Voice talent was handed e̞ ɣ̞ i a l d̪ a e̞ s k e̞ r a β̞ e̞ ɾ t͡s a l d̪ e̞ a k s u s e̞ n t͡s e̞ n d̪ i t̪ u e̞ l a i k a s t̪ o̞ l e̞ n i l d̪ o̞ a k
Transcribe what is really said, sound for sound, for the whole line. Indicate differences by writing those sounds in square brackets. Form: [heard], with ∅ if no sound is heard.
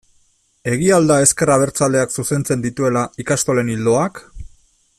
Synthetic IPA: e̞ ɣ̞ i a l d̪ a e̞ s k e̞ r a β̞ e̞ ɾ t͡s a l d̪ e̞ a k s u s e̞ n t͡s e̞ n d̪ i t̪ u e̞ l a i k a s t̪ o̞ l e̞ n i l d̪ o̞ a k